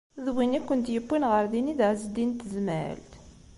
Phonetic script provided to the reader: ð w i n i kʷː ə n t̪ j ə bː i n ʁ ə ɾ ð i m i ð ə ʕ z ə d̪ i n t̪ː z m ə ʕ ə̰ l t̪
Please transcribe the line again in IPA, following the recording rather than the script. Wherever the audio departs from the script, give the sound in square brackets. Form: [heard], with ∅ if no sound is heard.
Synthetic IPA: ð w i n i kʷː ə n t̪ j ə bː i n ʁ ə ɾ ð i [n] i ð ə ʕ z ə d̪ i n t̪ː z m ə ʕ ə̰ l t̪